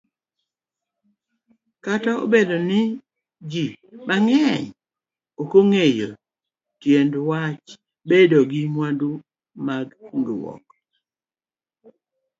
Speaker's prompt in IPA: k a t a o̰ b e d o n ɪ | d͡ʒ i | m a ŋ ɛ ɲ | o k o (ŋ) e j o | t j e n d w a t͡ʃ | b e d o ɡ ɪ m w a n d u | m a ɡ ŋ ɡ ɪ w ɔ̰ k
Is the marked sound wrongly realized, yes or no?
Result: no